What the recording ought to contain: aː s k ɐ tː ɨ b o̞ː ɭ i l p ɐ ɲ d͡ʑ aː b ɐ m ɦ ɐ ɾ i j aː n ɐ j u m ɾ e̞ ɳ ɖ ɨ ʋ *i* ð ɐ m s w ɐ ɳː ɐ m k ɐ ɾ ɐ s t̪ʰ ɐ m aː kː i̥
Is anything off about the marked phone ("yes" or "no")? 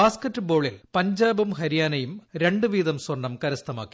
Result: yes